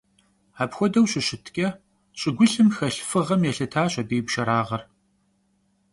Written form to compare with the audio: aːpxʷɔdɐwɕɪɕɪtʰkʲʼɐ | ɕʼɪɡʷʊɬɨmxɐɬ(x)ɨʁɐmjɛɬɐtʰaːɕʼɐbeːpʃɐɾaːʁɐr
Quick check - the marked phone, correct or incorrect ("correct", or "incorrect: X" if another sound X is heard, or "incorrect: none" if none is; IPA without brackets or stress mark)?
incorrect: f